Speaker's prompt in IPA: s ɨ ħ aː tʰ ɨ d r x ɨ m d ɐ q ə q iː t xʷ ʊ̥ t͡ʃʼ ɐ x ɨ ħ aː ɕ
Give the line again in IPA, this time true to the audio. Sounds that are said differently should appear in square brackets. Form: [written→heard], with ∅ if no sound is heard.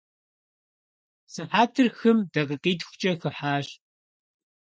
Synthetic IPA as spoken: s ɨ ħ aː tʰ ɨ [d→∅] r x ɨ m d ɐ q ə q iː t xʷ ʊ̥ t͡ʃʼ ɐ x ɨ ħ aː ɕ

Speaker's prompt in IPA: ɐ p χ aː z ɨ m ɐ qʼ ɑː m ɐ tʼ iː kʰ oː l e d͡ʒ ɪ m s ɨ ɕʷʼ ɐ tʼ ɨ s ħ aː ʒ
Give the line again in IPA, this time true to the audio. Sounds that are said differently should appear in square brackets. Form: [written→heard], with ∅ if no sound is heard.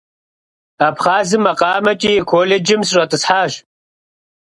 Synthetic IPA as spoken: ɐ p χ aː z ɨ m ɐ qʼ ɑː m ɐ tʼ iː kʰ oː l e d͡ʒ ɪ m s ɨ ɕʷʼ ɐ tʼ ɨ s ħ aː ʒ

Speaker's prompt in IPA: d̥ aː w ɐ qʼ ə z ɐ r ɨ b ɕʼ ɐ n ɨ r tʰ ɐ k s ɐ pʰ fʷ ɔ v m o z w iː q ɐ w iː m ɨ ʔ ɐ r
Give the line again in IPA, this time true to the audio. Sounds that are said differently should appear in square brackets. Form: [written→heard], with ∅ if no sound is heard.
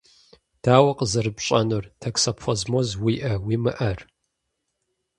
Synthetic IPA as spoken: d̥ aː w ɐ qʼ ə z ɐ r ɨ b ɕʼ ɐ n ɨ r tʰ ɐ k s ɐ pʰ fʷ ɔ [v→z] m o z w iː [q→ʔ] ɐ w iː m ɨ ʔ ɐ r

